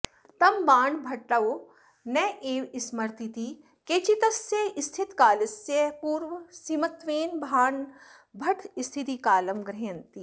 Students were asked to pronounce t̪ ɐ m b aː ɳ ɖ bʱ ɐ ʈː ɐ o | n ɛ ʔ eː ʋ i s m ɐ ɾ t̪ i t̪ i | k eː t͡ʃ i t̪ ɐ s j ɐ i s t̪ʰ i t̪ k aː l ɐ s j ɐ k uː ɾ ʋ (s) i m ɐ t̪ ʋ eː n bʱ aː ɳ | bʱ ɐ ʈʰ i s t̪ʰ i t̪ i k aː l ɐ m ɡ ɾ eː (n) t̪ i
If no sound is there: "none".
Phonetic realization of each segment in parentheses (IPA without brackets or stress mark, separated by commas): s, n